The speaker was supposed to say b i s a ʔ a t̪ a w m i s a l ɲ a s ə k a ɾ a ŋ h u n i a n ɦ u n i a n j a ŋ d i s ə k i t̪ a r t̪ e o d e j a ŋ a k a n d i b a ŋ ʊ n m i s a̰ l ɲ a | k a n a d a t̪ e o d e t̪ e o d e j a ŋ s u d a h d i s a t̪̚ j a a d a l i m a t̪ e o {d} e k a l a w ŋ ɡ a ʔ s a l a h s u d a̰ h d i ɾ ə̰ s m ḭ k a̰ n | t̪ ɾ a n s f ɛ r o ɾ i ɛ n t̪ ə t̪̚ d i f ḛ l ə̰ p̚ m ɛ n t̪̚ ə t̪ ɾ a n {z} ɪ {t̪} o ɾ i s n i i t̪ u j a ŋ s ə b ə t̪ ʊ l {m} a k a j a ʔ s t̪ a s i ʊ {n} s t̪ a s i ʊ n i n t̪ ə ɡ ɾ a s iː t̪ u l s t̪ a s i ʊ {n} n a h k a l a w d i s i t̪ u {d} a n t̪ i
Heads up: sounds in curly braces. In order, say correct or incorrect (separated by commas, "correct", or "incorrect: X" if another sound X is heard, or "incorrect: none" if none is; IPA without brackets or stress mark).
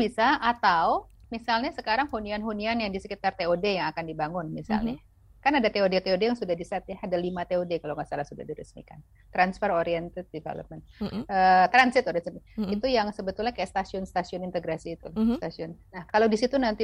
correct, incorrect: s, correct, incorrect: ɲ, correct, correct, incorrect: n